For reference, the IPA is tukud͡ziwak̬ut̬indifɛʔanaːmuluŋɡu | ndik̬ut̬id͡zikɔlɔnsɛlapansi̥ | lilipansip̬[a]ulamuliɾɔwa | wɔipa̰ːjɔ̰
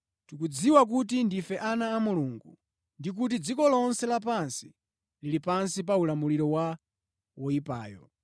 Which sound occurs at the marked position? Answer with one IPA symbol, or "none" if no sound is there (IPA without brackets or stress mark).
a